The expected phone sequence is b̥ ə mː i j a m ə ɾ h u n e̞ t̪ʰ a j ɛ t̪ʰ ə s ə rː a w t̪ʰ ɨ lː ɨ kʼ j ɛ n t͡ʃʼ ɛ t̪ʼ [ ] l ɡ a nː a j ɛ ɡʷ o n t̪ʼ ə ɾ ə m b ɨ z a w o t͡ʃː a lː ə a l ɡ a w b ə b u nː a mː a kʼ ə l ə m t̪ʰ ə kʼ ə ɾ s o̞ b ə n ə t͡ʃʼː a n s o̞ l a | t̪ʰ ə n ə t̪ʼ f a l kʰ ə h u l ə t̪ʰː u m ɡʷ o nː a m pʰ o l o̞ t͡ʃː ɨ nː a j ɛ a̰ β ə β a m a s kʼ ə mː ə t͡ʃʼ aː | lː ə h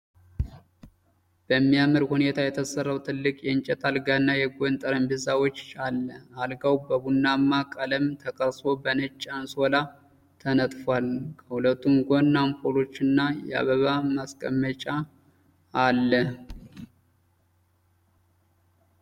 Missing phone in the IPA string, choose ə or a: a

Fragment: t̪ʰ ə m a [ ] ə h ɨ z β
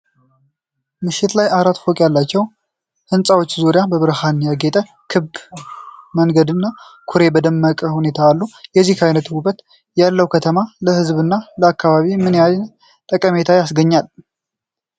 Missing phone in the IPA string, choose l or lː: l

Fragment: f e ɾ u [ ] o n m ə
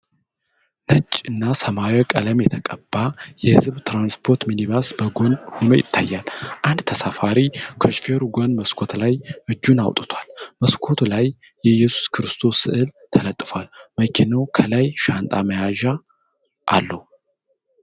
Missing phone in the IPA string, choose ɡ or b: ɡ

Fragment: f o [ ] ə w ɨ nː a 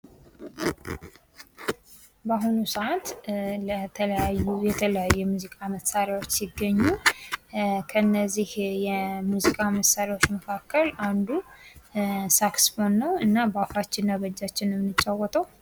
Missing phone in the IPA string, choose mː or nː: nː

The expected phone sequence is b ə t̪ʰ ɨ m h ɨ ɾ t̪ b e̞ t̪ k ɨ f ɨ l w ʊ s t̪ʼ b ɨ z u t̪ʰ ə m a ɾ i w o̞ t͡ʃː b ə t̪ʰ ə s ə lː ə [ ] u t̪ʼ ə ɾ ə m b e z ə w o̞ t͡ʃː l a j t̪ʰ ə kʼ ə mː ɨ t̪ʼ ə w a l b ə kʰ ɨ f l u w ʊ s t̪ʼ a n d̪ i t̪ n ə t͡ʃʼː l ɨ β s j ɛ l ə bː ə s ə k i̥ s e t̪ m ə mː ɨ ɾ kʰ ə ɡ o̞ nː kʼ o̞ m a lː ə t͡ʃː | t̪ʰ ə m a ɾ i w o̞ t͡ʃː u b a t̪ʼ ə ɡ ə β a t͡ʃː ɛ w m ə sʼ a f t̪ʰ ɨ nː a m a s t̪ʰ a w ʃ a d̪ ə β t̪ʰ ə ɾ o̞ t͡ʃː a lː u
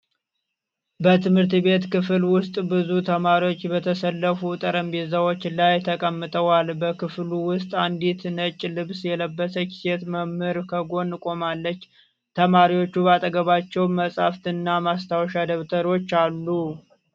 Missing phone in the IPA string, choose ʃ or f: f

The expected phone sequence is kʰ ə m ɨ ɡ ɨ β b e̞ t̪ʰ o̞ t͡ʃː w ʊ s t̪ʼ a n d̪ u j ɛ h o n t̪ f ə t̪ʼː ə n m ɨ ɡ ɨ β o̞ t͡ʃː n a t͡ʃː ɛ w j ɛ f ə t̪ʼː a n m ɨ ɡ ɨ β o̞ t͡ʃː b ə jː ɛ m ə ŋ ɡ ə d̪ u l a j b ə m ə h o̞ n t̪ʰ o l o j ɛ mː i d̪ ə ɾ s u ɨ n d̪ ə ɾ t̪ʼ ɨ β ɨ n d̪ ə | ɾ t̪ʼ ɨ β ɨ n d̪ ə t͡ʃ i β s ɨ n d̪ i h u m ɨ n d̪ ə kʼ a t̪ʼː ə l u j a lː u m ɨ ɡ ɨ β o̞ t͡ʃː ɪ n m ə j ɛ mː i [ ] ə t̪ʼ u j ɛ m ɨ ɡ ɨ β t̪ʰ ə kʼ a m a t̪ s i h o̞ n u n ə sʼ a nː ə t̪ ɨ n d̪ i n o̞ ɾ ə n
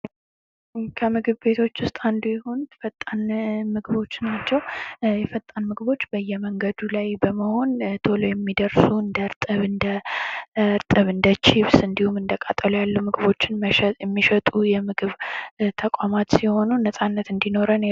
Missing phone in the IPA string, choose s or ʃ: ʃ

